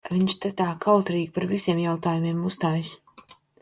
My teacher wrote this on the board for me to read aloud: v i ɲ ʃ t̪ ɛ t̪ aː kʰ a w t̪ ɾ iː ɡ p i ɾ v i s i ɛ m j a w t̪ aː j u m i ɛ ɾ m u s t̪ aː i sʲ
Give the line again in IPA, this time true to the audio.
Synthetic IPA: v i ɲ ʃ t̪ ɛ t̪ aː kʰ a w t̪ ɾ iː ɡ p a ɾ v i s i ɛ m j a w t̪ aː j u m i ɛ m u s t̪ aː j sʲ